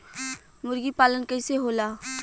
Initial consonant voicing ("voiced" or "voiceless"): voiced